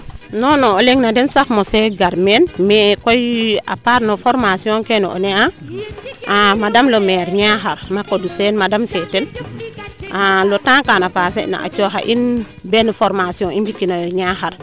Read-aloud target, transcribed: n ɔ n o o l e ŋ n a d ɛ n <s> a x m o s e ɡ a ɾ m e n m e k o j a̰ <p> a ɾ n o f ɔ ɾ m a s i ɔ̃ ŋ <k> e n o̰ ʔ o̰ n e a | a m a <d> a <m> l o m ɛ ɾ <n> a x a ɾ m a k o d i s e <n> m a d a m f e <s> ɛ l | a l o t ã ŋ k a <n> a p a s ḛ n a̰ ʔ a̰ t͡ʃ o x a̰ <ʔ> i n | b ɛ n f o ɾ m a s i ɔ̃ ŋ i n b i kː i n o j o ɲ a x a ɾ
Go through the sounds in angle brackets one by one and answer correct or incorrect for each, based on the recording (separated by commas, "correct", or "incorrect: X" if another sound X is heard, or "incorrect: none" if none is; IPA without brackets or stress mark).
correct, correct, correct, correct, correct, incorrect: ɲ, correct, incorrect: t, correct, correct